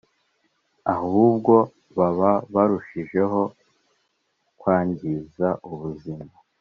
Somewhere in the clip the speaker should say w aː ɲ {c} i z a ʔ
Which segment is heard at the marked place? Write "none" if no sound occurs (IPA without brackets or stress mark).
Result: ɟ